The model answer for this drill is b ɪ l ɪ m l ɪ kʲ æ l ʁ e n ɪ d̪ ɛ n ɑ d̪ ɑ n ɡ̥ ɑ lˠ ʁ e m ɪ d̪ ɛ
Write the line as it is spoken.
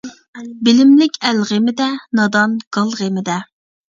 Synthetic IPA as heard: b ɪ l ɪ m l ɪ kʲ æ l ʁ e m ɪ d̪ ɛ n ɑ d̪ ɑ n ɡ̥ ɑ lˠ ʁ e m ɪ d̪ ɛ